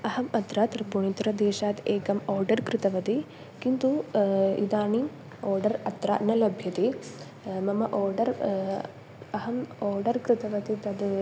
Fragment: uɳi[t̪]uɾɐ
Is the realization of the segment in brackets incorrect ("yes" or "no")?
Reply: no